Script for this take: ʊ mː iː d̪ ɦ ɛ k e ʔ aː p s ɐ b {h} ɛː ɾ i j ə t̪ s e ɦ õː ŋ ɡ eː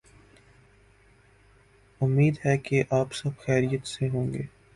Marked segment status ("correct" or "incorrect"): incorrect